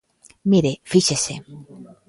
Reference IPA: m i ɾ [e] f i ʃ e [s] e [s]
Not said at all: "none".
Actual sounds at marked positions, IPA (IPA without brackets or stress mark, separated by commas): e, s, none